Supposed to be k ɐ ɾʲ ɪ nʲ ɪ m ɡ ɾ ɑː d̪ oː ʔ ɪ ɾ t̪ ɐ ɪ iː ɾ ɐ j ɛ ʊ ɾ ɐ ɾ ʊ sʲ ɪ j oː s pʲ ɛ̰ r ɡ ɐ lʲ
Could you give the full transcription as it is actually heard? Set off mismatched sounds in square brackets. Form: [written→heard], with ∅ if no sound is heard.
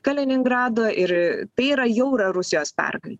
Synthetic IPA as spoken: k ɐ [ɾʲ→lʲ] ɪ nʲ ɪ [m→ŋ] ɡ ɾ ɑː d̪ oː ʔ ɪ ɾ t̪ ɐ ɪ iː ɾ ɐ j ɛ ʊ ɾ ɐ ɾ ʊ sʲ ɪ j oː s pʲ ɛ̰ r ɡ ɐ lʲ